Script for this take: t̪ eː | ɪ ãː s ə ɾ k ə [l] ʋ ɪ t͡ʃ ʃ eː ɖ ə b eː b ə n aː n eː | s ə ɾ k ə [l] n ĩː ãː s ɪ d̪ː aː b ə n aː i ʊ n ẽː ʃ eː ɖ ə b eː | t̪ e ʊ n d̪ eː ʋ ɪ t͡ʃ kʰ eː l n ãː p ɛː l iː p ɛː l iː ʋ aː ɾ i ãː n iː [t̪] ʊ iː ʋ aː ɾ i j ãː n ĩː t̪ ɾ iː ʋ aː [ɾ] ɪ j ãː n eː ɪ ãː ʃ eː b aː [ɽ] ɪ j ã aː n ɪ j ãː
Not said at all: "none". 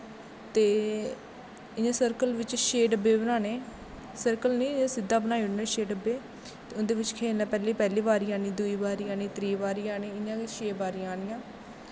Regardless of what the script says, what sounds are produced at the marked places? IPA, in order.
l, l, d̪, ɾ, ɾ

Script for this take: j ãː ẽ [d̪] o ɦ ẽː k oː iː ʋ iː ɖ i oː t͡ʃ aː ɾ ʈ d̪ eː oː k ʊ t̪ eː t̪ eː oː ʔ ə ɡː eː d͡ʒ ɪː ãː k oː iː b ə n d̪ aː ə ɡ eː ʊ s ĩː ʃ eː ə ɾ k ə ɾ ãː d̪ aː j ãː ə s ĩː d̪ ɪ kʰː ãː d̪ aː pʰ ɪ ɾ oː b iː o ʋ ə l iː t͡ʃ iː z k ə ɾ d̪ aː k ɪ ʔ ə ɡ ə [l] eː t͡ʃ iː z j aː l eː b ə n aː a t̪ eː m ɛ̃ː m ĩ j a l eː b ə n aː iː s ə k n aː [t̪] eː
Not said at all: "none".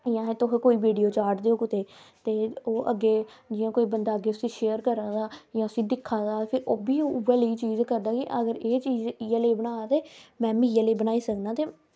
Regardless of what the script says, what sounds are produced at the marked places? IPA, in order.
t̪, ɾ, t̪

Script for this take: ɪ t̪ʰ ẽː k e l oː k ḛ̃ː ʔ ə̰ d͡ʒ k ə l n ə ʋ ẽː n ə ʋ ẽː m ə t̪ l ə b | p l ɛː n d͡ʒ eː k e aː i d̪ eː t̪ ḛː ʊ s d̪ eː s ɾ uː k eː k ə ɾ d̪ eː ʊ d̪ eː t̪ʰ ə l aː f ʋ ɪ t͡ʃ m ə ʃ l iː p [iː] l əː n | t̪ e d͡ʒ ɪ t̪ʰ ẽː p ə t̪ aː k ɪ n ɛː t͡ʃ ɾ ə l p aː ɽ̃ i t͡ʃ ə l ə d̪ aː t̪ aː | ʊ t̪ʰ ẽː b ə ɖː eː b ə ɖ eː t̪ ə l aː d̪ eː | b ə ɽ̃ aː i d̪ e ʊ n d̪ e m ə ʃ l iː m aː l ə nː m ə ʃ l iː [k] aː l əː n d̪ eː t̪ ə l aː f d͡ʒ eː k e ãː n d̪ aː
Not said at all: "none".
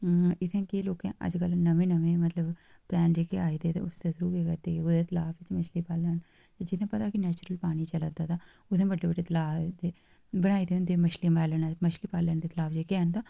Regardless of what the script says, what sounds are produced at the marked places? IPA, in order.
aː, p

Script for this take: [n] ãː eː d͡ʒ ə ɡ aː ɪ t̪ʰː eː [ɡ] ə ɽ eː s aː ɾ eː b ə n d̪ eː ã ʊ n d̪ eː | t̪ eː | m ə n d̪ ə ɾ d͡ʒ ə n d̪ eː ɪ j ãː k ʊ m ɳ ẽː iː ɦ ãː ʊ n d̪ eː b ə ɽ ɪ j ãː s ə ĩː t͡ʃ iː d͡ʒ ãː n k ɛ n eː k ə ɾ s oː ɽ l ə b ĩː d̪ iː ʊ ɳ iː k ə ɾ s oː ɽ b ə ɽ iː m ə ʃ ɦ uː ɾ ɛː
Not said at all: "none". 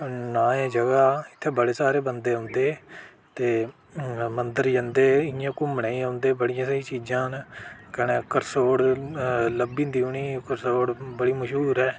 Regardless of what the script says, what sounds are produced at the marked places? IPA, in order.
n, b

